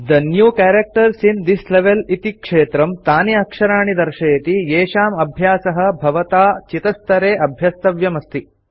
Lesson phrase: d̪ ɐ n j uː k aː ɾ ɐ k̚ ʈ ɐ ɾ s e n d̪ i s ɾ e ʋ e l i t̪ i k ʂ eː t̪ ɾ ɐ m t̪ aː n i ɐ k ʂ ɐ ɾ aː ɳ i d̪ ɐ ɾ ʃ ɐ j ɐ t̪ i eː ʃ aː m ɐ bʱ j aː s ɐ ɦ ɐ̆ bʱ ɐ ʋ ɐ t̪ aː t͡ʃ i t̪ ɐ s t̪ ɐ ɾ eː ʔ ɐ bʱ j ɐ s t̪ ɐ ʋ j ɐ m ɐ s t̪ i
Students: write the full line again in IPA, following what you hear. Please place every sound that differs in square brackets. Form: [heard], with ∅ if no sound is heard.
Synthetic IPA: d̪ ɐ n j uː k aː ɾ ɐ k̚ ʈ ɐ ɾ s [i] n d̪ i s [l] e ʋ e l i t̪ i k ʂ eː t̪ ɾ ɐ m t̪ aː n i ɐ k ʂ ɐ ɾ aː ɳ i d̪ ɐ ɾ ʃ ɐ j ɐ t̪ i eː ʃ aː m ɐ bʱ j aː s ɐ ɦ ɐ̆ bʱ ɐ ʋ ɐ t̪ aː t͡ʃ i t̪ ɐ s t̪ ɐ ɾ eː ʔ ɐ bʱ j ɐ s t̪ ɐ ʋ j ɐ m ɐ s t̪ i